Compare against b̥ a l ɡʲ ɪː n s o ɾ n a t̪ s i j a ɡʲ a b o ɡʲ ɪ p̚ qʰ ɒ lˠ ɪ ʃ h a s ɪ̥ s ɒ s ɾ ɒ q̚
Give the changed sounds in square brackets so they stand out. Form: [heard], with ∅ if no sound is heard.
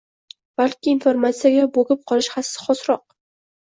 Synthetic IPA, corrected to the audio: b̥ a l [kʲ] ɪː n [f] o ɾ [m] a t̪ s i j a ɡʲ a b o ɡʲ ɪ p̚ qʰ ɒ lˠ ɪ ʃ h a s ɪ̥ [χ] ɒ s ɾ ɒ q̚